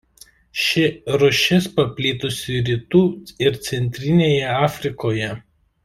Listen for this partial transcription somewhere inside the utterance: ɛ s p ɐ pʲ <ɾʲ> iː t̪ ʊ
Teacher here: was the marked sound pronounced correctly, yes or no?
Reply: no